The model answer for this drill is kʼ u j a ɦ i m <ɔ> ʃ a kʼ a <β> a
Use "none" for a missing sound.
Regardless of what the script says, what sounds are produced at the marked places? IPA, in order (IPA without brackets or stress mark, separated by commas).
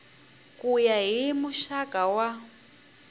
u, w